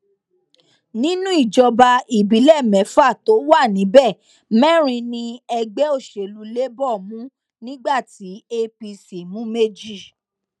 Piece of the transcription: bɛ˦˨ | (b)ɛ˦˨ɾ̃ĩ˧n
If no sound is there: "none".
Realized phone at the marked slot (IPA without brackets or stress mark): m